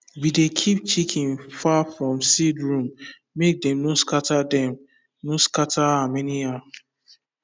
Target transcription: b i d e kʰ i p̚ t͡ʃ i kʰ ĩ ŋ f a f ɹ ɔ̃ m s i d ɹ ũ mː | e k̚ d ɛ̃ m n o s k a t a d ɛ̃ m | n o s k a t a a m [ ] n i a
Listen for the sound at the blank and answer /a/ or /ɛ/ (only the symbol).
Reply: ɛ